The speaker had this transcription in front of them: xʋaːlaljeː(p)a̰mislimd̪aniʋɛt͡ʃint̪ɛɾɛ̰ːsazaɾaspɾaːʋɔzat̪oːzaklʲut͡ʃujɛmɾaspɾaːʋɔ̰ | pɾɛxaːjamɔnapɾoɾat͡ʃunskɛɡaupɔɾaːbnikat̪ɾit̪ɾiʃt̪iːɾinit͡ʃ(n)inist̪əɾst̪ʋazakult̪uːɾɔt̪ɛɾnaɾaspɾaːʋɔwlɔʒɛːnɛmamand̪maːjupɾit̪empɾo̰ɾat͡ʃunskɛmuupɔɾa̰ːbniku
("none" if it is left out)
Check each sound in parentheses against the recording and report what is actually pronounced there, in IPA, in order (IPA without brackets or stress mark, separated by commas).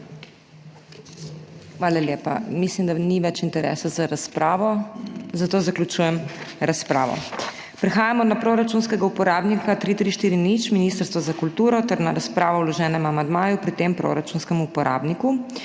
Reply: p, m